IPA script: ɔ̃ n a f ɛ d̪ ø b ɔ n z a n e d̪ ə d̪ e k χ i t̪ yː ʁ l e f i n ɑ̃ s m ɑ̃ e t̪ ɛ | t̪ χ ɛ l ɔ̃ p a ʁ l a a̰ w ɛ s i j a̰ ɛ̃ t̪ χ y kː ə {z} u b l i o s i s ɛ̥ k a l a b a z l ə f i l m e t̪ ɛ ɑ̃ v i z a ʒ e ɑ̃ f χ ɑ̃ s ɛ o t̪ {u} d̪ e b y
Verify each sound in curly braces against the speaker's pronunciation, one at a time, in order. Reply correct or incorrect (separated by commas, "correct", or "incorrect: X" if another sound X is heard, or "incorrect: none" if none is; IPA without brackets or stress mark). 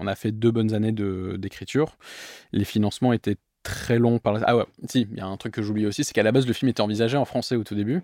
incorrect: ʒ, correct